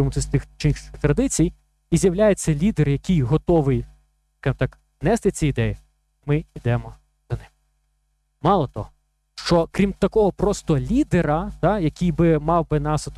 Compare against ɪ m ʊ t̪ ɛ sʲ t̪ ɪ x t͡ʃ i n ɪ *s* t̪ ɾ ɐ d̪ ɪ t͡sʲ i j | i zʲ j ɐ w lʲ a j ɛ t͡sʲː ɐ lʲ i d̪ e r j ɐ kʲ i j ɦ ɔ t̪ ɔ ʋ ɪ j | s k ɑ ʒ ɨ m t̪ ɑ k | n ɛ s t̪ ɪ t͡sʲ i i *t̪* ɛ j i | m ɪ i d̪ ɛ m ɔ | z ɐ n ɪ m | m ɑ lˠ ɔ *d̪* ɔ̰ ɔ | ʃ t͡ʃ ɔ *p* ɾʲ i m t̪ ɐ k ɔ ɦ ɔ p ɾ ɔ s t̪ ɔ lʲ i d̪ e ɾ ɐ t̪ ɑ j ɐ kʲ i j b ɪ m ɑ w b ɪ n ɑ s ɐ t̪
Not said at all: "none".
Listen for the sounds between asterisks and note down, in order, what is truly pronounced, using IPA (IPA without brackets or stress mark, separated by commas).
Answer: x, d̪, t̪, k